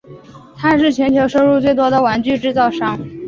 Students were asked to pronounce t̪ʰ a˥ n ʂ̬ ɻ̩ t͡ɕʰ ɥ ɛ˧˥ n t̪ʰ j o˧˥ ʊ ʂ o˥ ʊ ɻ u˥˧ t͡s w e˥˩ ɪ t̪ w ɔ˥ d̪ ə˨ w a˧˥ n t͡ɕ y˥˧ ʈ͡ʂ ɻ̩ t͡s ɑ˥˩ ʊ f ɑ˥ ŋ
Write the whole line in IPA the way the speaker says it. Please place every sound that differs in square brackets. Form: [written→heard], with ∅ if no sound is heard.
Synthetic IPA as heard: t̪ʰ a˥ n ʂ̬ ɻ̩ t͡ɕʰ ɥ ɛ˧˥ n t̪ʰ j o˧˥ ʊ ʂ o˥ ʊ ɻ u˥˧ t͡s w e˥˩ ɪ t̪ w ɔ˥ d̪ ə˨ w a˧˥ n t͡ɕ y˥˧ ʈ͡ʂ ɻ̩ t͡s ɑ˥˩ ʊ [f→ʂ] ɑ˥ ŋ